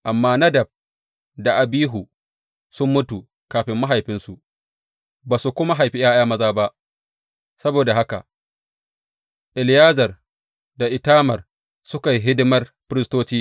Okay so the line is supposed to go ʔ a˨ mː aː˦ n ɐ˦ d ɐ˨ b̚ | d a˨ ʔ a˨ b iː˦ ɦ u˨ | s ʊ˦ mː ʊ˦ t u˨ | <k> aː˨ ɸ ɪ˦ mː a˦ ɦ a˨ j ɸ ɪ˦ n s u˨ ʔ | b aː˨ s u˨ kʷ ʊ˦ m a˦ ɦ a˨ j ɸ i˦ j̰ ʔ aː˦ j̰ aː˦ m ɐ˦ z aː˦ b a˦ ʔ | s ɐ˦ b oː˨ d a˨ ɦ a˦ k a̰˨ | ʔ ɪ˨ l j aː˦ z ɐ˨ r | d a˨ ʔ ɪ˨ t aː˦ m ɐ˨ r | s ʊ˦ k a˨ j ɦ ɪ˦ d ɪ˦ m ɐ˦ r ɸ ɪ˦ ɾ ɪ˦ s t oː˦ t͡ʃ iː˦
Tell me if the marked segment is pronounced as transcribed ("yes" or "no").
yes